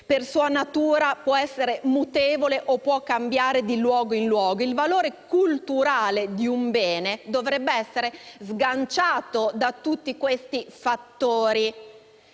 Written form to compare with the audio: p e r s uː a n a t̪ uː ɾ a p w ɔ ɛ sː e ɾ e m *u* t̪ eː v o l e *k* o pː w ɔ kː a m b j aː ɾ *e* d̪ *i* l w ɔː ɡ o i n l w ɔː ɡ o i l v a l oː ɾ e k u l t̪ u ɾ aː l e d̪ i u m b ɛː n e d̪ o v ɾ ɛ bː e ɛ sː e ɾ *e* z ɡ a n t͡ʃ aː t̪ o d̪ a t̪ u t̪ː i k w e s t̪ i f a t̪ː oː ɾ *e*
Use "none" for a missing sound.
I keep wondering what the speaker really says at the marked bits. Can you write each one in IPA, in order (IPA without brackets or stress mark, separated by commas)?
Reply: u, ʔ, e, i, e, i